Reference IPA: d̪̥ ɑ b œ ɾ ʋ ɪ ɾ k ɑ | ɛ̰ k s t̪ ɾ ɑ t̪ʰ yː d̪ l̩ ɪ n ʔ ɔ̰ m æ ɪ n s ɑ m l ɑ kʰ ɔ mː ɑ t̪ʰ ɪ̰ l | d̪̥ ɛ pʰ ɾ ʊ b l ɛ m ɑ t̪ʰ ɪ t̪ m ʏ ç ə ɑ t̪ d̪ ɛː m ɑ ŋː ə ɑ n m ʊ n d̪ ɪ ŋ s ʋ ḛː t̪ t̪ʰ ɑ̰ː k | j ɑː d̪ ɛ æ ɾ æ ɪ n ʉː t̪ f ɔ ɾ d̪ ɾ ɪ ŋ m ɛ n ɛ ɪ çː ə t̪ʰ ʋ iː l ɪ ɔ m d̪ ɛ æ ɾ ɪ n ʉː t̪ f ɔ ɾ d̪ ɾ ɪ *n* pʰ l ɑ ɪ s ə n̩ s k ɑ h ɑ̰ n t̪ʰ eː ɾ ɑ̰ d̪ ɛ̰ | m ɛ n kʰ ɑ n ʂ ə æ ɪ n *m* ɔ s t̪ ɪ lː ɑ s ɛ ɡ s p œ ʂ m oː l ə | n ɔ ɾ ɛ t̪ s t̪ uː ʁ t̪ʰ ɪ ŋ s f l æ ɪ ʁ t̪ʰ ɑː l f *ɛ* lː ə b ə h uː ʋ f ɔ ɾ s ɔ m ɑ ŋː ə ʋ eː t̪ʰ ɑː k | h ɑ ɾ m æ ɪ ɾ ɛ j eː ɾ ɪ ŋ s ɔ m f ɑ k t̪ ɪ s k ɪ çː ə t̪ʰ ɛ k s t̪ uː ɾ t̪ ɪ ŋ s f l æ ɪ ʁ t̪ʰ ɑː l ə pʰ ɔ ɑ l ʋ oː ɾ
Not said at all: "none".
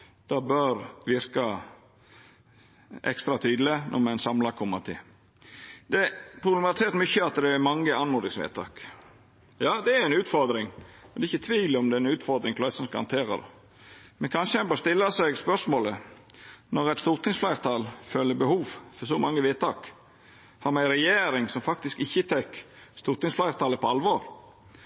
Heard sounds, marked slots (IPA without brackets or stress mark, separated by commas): ŋ, b, œ